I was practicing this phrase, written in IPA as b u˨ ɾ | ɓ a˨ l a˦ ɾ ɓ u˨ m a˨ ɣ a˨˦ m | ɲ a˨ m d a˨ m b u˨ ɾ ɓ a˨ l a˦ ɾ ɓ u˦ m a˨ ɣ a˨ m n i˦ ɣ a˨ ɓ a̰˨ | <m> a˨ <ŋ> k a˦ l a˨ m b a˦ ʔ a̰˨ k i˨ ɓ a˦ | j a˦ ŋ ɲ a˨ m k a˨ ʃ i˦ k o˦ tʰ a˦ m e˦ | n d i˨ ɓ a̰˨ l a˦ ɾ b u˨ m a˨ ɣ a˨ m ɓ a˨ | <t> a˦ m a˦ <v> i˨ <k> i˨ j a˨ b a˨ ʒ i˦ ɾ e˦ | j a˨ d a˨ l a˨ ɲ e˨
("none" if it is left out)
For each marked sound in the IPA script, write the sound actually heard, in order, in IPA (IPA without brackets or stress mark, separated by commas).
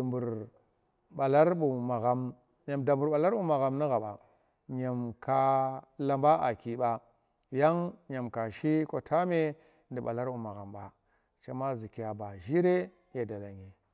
ɲ, m, t͡ʃ, z, k